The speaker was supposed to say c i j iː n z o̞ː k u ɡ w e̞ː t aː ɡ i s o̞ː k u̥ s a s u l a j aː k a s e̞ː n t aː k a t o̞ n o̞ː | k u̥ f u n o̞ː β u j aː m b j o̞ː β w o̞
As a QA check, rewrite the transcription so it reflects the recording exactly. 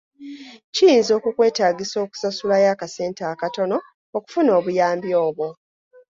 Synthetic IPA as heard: c i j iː n z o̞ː k u k w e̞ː t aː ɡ i s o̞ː k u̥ s a s u l a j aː k a s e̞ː n t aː k a t o̞ n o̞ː | k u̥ f u n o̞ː β u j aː m b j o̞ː β w o̞